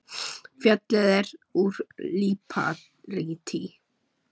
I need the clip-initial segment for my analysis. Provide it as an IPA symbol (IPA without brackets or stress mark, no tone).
f